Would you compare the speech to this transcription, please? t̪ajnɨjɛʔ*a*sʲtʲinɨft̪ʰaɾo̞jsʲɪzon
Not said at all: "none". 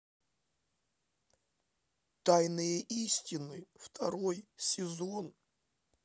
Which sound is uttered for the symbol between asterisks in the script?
i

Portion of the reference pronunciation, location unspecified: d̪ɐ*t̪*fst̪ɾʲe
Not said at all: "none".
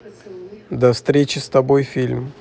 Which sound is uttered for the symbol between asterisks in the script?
none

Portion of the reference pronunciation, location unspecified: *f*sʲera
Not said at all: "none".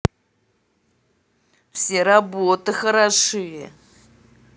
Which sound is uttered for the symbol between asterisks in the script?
f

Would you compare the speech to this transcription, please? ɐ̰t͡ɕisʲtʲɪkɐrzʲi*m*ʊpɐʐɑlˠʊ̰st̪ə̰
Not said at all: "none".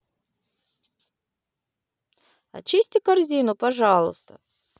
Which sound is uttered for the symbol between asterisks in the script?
n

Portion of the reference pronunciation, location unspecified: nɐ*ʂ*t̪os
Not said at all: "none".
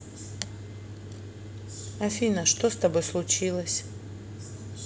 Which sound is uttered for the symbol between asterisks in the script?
ʂ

